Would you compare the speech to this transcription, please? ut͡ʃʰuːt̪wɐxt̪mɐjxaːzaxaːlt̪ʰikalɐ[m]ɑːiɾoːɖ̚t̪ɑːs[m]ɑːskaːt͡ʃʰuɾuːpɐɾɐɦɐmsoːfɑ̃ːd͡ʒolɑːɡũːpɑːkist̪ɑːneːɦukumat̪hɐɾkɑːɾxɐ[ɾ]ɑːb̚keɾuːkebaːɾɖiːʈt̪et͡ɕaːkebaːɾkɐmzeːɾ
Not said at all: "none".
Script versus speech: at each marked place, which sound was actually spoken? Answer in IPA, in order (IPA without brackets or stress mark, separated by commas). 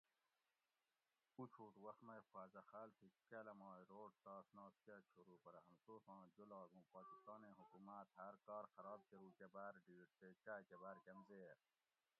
m, n, ɾ